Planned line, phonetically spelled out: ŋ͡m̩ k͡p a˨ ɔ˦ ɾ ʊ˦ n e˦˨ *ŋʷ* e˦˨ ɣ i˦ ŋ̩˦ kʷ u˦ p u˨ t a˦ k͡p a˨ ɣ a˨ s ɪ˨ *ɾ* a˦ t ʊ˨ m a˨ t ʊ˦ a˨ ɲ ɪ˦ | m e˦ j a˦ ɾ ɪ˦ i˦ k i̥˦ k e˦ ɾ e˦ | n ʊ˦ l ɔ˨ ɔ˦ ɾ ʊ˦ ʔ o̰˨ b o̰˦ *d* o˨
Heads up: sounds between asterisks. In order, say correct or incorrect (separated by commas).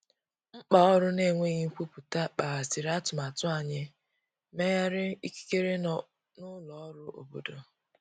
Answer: correct, correct, correct